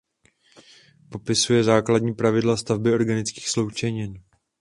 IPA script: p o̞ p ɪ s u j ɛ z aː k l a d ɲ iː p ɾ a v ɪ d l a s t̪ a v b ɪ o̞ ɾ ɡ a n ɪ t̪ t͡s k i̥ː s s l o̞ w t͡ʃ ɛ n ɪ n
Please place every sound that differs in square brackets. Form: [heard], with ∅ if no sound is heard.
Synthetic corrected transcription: p o̞ p ɪ s u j ɛ z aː k l a d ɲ iː p ɾ a v ɪ d l a s t̪ a v b ɪ o̞ ɾ ɡ a n ɪ [∅] t͡s k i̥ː [x] s l o̞ w t͡ʃ ɛ [ɲ] ɪ n